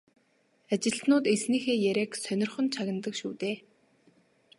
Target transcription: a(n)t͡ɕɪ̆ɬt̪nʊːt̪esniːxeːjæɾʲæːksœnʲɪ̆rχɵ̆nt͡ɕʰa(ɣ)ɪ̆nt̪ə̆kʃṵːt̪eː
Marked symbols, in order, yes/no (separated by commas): no, yes